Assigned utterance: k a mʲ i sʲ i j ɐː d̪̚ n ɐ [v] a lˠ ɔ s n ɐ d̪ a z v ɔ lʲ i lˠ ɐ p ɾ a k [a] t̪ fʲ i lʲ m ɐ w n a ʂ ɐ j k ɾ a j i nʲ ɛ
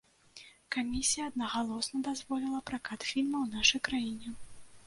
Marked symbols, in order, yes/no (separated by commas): no, yes